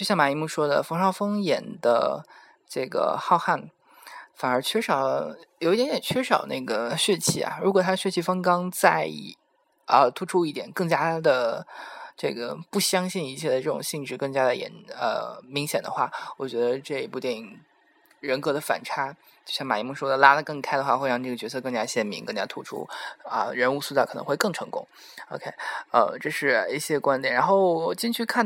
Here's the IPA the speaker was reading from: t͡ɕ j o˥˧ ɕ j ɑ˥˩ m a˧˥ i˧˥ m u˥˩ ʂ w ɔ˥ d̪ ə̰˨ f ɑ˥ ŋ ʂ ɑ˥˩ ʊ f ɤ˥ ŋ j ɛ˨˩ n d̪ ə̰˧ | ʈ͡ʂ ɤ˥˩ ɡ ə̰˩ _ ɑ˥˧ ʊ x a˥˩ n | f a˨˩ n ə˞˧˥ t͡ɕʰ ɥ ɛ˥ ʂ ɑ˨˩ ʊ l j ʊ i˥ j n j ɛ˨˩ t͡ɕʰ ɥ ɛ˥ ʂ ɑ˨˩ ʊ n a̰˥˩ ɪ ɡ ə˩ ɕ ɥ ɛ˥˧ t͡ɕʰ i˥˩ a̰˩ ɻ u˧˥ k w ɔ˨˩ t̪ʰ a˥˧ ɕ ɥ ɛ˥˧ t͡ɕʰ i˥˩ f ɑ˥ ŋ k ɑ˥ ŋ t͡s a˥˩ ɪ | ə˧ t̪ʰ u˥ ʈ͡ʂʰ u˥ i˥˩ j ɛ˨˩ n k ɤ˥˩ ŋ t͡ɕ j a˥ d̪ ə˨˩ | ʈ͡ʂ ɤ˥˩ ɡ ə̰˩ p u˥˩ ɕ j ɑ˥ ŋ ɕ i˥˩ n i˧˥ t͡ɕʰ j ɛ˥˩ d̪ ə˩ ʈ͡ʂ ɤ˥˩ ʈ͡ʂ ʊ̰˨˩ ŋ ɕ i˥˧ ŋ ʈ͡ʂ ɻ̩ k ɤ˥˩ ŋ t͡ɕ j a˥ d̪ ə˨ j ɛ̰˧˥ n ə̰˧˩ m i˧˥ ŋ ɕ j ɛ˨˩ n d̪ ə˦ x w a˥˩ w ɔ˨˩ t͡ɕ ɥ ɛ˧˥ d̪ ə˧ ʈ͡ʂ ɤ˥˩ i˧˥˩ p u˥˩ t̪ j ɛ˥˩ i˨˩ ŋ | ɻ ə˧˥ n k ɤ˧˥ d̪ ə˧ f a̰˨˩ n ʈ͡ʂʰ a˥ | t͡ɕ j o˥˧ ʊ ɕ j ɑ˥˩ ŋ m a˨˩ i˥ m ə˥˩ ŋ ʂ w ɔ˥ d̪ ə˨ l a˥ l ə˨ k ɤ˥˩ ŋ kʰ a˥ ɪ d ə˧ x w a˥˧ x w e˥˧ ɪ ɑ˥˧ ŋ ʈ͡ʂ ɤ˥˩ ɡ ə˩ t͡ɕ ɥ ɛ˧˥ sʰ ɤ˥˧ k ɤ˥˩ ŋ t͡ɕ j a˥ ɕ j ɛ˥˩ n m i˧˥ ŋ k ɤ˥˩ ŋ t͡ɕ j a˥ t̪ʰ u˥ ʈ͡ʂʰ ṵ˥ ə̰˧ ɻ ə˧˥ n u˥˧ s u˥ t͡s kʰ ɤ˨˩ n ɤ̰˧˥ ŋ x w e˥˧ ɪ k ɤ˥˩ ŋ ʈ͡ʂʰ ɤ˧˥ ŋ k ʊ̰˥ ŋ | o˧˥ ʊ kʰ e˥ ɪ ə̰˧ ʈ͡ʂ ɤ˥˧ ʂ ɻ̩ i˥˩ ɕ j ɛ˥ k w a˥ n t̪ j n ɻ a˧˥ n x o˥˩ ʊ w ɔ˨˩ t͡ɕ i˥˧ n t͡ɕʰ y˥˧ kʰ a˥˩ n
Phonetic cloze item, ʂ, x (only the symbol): x